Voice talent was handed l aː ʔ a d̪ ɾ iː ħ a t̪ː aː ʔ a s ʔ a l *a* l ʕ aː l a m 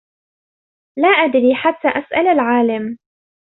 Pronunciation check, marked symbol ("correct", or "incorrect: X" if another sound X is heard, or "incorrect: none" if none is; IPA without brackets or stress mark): correct